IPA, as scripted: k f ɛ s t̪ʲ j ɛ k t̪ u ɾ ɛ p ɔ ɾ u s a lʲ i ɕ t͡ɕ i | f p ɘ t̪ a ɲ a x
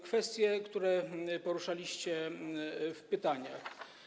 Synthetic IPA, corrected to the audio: k f ɛ s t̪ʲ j ɛ k t̪ u ɾ ɛ p ɔ ɾ u ʂ a lʲ i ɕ t͡ɕ ɛ | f p ɘ t̪ a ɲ a x